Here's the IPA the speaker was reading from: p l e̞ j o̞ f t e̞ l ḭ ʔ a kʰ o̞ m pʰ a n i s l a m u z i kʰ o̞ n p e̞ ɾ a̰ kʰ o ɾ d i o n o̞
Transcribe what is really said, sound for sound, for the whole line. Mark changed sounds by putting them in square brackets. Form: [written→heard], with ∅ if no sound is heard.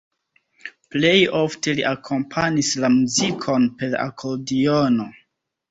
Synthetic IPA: p l e̞ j o̞ f t e̞ l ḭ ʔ a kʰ o̞ m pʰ a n i s l a m u z i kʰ o̞ n p e̞ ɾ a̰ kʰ o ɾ d i o n o̞